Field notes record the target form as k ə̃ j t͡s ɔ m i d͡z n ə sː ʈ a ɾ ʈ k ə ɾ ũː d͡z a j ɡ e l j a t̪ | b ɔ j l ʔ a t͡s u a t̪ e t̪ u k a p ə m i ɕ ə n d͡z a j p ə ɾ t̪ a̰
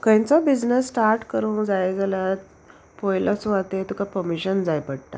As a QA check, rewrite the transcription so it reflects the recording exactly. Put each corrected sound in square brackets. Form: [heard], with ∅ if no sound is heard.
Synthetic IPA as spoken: k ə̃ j t͡s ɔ [b] i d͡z n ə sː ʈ a ɾ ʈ k ə ɾ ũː d͡z a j ɡ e l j a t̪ | [p] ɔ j l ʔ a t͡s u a t̪ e t̪ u k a p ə m i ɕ ə n d͡z a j p ə [ɽ] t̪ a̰